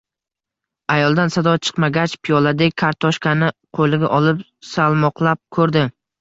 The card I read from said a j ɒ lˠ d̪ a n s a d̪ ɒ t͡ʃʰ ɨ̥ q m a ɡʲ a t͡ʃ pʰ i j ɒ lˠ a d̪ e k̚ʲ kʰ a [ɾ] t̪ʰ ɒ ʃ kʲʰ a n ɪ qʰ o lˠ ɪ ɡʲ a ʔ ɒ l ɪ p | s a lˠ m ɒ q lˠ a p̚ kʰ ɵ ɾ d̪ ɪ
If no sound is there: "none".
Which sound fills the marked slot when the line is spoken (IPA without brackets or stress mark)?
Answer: ɾ